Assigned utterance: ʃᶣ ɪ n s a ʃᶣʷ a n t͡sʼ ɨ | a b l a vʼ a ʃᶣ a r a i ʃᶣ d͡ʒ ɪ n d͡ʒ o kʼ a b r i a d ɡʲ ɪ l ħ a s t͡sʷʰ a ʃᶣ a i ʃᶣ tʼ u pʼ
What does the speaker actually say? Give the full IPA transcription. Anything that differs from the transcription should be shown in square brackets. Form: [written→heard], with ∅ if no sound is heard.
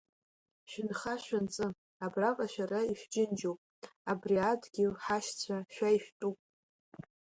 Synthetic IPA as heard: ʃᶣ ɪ n [s→χ] a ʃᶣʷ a n t͡sʼ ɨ | a b [l→r] a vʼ a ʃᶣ a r a i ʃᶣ d͡ʒ ɪ n d͡ʒ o [kʼ→pʼ] a b r i a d ɡʲ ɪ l ħ a [s→ʃ] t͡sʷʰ a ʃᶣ a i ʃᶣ tʼ u pʼ